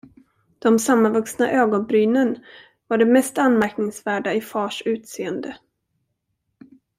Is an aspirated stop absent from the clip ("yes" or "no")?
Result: yes